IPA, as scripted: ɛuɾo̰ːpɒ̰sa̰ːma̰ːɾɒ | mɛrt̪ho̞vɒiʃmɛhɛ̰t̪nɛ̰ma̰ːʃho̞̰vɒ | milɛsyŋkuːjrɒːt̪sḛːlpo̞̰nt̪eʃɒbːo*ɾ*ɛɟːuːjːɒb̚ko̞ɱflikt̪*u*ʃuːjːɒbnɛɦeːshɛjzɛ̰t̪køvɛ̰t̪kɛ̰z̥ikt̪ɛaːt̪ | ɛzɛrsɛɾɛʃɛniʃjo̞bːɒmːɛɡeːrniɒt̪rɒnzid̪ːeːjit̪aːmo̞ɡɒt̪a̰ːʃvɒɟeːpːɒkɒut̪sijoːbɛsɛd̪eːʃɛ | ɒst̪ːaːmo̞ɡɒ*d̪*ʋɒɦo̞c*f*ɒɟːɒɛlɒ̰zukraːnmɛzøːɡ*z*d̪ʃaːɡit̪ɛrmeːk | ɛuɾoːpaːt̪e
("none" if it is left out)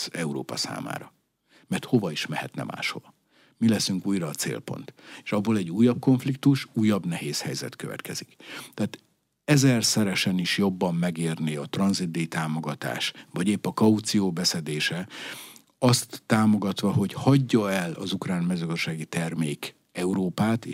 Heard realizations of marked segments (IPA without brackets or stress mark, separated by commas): l, u, t̪, h, z